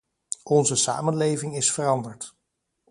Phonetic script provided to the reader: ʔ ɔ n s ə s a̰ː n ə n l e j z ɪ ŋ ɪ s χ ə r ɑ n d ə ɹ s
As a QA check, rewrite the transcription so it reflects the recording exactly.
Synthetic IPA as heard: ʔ ɔ n z ə s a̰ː m ə n l e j v ɪ ŋ ɪ s f ə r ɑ n d ə ɹ t